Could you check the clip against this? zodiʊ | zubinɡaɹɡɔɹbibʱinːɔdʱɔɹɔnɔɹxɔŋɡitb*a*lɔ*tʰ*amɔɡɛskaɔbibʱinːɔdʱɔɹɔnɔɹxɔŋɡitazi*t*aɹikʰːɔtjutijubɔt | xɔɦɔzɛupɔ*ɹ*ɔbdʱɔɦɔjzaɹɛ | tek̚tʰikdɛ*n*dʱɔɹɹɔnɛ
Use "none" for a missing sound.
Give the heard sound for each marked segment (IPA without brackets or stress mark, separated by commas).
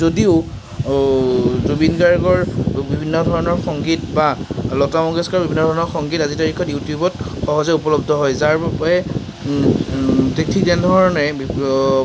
a, t, t, l, n